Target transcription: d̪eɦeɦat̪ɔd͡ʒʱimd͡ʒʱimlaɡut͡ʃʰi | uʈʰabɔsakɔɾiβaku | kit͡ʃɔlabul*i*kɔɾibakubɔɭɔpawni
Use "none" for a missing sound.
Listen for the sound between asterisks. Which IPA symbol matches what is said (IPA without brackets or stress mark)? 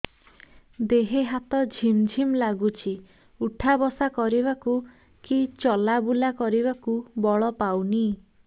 a